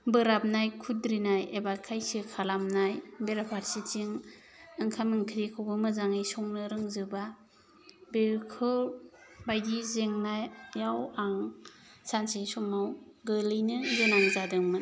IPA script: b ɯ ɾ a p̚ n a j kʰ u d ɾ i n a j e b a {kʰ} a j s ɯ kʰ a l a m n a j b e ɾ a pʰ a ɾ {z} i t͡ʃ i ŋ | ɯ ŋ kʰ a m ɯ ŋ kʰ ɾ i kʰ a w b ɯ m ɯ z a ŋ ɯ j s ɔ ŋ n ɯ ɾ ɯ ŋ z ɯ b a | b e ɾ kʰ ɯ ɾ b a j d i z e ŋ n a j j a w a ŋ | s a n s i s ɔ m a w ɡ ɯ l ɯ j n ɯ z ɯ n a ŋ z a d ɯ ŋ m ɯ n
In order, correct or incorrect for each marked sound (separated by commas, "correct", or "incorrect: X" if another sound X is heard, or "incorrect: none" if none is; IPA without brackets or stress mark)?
correct, incorrect: s